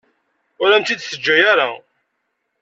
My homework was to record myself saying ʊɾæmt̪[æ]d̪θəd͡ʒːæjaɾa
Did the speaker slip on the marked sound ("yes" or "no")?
yes